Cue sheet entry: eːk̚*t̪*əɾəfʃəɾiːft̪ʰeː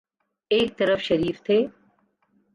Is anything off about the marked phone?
no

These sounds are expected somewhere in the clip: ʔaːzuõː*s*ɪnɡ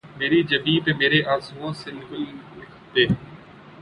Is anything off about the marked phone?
no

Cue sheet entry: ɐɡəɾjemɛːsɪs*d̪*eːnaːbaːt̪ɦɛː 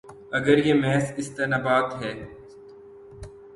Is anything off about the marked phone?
yes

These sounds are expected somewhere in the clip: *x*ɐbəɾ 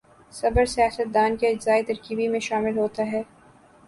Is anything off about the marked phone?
yes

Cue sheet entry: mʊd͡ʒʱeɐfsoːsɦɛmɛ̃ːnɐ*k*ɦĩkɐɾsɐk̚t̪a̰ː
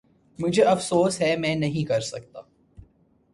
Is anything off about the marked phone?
yes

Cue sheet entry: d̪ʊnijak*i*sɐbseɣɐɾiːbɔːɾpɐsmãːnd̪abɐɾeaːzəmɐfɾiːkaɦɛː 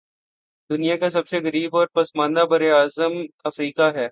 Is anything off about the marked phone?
yes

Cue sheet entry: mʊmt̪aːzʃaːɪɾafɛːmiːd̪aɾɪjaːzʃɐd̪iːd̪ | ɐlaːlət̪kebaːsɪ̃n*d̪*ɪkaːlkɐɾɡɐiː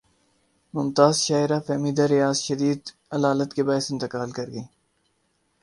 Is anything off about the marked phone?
yes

